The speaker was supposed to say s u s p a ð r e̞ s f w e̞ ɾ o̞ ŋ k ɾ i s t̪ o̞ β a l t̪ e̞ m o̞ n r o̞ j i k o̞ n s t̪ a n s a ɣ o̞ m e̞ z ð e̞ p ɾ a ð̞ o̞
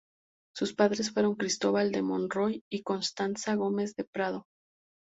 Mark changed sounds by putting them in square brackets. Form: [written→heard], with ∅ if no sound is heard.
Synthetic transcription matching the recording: s u s p a ð [r→ɾ] e̞ s f w e̞ ɾ o̞ ŋ k ɾ i s t̪ o̞ β a l [t̪→d̪] e̞ m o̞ n r o̞ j i k o̞ n s t̪ a n s a ɣ o̞ m e̞ z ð e̞ p ɾ a ð̞ o̞